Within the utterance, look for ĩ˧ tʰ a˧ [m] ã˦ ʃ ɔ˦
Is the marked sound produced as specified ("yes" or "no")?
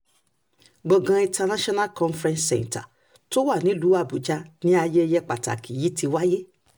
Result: no